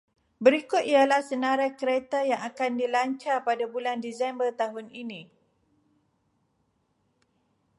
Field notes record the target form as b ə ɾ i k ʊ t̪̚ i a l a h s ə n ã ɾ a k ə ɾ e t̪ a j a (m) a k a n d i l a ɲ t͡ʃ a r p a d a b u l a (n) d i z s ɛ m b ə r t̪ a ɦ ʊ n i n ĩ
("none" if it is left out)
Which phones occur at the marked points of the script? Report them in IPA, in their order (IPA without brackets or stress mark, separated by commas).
ŋ, n